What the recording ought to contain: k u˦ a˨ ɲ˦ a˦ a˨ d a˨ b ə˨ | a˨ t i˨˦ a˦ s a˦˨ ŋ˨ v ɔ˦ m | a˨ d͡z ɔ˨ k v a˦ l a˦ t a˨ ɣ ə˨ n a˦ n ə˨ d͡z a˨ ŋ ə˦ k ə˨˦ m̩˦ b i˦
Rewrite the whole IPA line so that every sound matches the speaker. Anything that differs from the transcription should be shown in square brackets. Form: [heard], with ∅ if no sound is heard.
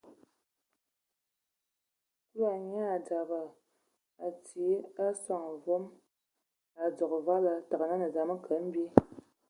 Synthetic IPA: k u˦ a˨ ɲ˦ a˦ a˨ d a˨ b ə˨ | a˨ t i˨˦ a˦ s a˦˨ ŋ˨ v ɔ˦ m | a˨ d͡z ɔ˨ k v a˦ l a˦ t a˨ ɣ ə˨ n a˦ n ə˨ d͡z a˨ [m] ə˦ k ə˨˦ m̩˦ b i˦

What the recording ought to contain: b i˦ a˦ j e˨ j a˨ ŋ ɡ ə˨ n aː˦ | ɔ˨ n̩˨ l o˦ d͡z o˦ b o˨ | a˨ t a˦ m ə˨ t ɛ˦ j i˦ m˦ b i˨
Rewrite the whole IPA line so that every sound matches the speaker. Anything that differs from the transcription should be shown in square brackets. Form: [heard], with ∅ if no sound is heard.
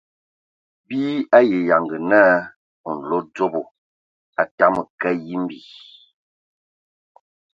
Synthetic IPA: b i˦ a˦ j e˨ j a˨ ŋ ɡ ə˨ n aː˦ | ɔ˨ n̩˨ l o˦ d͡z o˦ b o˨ | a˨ t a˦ m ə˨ [k] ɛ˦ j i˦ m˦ b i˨

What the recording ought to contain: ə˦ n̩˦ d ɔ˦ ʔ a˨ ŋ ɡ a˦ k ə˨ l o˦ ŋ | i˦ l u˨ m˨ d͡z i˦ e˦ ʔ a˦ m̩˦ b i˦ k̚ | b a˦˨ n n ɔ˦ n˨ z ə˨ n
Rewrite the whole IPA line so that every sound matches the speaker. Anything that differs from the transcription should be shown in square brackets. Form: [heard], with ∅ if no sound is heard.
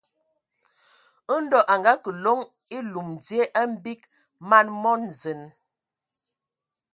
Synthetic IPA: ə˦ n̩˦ d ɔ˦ ʔ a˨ ŋ ɡ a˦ k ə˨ l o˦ ŋ | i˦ l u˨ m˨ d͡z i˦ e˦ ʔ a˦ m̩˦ b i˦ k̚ | [m] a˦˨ n [m] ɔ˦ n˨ z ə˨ n

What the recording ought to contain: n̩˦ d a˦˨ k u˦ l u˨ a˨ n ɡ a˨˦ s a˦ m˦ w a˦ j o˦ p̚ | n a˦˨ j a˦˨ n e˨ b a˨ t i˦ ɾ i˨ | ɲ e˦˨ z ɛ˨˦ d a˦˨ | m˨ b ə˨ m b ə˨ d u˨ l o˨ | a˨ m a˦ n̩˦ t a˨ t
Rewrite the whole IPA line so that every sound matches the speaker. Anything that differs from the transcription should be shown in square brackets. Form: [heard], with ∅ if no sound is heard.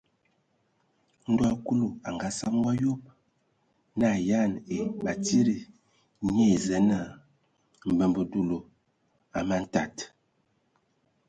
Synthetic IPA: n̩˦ d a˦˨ k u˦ l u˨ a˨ [ŋ] ɡ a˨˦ s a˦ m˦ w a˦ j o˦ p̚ | n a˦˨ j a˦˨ n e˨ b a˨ t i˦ ɾ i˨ | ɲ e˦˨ z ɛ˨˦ [n] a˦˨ | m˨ b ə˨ m b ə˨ d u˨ l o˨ | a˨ m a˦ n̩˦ t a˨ t

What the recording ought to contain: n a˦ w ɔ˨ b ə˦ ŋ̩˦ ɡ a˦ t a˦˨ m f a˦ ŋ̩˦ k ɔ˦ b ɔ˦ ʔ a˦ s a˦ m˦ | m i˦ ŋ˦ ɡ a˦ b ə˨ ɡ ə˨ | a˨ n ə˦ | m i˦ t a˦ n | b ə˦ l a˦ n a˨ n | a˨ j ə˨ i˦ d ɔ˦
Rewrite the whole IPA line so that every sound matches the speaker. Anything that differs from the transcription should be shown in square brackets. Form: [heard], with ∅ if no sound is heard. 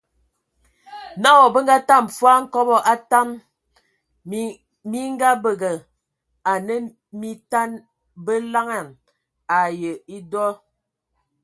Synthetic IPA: n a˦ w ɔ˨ b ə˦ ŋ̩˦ ɡ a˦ t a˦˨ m f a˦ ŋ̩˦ k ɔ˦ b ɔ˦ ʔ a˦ [t] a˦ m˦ | m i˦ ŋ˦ ɡ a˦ b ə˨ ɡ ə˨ | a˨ n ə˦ | m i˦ t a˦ n | b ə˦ l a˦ [ŋ] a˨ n | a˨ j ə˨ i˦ d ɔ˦

